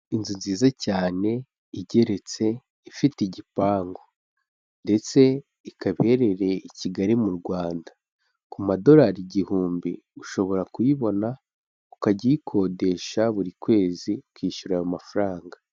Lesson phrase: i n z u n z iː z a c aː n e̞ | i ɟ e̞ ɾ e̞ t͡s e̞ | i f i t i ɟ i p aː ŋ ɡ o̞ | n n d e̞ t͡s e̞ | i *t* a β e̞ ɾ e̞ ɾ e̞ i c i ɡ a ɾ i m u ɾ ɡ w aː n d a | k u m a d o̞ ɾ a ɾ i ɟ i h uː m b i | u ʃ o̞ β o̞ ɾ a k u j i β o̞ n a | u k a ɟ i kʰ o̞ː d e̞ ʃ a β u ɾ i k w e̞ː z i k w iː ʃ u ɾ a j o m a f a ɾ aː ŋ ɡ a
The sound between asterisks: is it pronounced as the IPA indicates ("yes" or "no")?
no